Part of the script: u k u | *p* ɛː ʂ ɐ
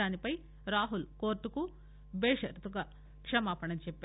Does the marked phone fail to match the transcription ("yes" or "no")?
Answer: yes